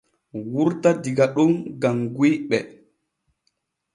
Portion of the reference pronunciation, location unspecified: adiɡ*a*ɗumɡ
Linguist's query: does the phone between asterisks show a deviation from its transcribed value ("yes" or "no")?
no